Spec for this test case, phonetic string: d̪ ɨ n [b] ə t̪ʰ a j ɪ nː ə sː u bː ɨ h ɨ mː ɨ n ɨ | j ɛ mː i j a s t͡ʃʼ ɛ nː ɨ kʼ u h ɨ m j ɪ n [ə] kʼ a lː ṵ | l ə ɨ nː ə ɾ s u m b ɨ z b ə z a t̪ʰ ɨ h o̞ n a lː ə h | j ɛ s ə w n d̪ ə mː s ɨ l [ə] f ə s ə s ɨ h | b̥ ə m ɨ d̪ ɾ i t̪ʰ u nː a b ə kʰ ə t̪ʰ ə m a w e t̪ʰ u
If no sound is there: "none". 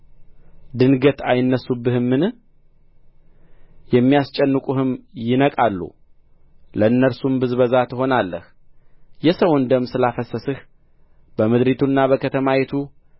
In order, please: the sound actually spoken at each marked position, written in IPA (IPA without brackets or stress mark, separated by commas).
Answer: ɡ, ə, a